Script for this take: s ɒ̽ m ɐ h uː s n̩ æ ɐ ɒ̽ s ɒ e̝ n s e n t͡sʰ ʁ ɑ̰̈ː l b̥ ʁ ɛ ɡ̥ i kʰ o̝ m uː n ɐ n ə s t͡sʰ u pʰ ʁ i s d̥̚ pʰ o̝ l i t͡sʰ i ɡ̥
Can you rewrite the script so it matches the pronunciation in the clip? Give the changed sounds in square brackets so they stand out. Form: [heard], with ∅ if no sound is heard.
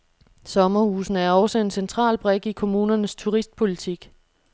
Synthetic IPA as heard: s ɒ̽ m ɐ h uː s n̩ æ ɐ ɒ̽ s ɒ e̝ n s e n t͡sʰ ʁ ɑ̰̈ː l b̥ ʁ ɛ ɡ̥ i kʰ o̝ m uː n ɐ n ə s t͡sʰ u [∅] ʁ i s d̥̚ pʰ o̝ l i t͡sʰ i ɡ̥